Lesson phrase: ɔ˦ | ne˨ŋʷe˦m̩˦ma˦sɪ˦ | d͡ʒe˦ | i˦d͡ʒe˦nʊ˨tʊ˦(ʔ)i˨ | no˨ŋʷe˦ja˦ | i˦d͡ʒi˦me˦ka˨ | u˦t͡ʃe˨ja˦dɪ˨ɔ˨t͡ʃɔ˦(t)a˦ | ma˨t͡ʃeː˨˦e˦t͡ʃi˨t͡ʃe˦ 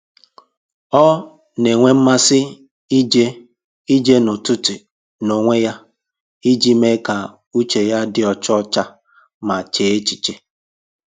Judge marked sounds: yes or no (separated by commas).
no, no